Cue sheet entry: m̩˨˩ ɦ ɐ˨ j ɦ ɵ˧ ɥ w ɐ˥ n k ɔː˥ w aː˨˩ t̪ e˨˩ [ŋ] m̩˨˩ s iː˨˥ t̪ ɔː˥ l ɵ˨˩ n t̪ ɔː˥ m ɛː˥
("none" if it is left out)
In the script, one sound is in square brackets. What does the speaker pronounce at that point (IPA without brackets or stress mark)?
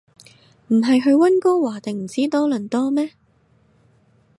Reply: ŋ